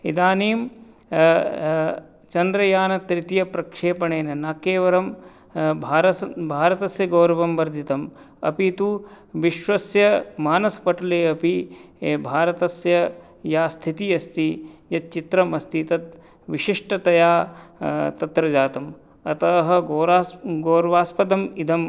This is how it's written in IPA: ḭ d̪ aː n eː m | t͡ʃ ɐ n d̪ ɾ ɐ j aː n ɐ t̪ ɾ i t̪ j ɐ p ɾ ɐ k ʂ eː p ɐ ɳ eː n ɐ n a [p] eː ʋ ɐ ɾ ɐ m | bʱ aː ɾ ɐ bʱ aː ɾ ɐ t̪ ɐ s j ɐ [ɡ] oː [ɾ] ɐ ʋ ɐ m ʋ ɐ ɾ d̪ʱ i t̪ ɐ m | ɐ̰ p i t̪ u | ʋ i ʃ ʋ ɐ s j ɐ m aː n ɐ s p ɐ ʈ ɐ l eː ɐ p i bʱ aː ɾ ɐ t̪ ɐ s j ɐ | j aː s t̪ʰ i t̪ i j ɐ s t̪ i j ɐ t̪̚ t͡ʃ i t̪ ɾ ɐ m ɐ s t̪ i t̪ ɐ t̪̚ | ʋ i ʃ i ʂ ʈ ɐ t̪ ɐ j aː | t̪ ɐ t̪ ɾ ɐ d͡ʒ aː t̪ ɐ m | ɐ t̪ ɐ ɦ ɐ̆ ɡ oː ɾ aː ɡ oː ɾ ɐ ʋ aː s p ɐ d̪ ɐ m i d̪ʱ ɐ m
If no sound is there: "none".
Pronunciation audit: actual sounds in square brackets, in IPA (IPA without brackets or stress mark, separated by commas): k, ɡ, ɾ